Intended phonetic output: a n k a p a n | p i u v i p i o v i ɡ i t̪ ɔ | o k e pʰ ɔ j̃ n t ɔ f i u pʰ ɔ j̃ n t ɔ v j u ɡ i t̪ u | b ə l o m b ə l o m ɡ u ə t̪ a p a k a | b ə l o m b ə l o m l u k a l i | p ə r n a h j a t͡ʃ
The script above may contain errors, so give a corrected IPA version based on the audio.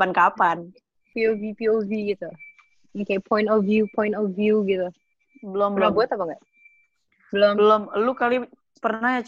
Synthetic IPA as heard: a n k a p a n | p i o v i p i o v i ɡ i t̪ u | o k e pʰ ɔ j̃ n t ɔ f j u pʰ ɔ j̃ n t ɔ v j u ɡ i t̪ u | b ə l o m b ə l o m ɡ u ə t̪ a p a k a | b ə l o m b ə l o m l u k a l i | p ə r n a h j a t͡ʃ